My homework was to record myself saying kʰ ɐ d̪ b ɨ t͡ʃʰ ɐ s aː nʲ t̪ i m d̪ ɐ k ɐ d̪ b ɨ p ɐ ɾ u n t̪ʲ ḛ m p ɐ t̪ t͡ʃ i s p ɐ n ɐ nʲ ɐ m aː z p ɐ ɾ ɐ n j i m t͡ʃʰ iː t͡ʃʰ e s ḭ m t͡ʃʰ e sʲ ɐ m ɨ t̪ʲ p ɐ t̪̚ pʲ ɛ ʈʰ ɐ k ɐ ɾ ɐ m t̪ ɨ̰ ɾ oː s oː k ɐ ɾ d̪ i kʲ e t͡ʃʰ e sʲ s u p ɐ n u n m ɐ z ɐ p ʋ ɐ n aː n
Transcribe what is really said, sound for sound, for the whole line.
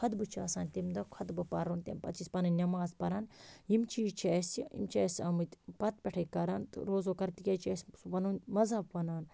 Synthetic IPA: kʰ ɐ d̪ b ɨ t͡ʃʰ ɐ s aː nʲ t̪ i m d̪ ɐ kʰ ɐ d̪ b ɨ p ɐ ɾ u n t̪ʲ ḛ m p ɐ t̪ t͡ʃ i s p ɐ n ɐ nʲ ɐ m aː z p ɐ ɾ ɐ n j i m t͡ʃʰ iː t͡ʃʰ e s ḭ m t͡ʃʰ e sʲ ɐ m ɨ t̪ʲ p ɐ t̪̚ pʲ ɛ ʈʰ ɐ k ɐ ɾ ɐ n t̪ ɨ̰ ɾ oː z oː k ɐ ɾ t̪ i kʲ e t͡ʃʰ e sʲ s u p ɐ n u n m ɐ z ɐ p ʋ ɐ n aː n